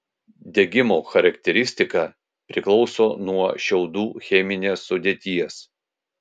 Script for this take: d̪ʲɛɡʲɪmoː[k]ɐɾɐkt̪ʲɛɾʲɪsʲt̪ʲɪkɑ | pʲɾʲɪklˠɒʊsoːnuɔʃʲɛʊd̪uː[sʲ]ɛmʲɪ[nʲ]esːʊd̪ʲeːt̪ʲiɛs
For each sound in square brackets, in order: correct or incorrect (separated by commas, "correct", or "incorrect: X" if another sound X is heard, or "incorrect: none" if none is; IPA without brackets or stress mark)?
incorrect: x, incorrect: xʲ, correct